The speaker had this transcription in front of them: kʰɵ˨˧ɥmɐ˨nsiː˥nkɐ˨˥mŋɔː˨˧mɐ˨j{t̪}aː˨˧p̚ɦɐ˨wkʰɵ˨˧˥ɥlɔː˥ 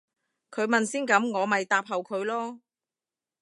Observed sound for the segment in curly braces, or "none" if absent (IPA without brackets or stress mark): t̪